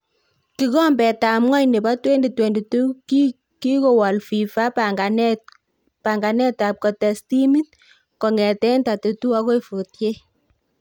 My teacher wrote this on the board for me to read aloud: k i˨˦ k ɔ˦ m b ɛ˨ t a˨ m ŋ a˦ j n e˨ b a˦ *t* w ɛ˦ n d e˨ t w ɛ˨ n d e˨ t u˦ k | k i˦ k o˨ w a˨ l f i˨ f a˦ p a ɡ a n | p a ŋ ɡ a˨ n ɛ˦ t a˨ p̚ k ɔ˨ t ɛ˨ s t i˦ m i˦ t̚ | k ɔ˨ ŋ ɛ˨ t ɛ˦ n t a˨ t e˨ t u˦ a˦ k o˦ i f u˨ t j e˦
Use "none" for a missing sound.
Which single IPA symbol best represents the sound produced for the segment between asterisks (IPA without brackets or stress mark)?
t